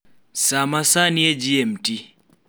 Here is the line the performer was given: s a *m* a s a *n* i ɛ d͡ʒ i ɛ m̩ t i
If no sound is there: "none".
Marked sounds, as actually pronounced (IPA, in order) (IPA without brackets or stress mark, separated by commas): m, n